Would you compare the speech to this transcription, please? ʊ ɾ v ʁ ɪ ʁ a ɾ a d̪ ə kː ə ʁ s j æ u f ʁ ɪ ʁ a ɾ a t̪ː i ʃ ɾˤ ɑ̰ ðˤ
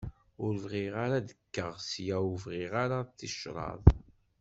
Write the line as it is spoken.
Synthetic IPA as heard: ʊ ɾ v ʁ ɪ ʁ a ɾ a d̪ ə kː ə ʁ s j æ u v ʁ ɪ ʁ a ɾ a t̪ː i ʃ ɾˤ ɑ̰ ðˤ